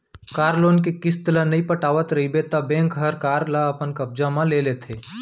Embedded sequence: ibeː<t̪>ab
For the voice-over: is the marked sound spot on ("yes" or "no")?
yes